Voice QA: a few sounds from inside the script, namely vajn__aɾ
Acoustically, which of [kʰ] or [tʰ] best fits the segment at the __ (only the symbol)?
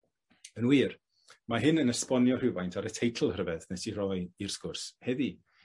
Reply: tʰ